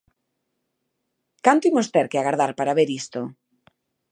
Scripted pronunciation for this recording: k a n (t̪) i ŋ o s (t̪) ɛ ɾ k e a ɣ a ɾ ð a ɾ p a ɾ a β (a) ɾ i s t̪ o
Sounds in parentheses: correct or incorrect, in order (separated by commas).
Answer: correct, correct, incorrect